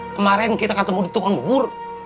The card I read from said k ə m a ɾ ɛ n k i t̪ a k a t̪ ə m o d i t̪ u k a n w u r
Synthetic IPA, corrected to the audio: k ə m a ɾ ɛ n k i t̪ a k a t̪ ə m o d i t̪ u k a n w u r